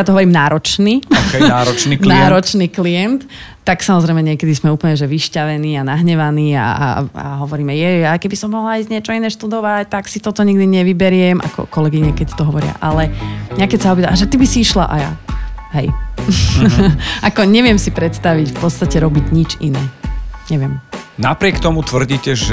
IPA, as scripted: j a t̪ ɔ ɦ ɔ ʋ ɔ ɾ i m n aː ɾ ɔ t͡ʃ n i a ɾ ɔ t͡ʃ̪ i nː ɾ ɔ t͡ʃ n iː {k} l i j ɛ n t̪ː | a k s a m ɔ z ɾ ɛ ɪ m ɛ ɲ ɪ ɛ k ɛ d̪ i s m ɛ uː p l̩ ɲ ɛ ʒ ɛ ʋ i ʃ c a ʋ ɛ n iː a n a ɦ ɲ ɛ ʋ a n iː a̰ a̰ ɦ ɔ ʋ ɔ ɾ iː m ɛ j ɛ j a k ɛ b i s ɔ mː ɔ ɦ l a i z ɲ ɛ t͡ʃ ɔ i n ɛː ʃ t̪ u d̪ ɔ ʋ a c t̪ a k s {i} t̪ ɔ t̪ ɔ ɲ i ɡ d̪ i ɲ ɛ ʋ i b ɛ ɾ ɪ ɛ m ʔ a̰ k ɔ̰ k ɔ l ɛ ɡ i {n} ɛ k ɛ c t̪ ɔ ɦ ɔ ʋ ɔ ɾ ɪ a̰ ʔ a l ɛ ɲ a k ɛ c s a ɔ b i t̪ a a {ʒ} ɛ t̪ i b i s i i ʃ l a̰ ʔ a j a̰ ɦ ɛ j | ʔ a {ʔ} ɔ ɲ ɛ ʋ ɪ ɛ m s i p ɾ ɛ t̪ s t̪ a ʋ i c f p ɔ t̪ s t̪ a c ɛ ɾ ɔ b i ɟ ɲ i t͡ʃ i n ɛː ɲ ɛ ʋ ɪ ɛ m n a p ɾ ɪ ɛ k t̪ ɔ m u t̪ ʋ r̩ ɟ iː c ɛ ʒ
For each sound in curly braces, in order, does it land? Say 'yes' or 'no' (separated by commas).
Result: yes, yes, no, yes, no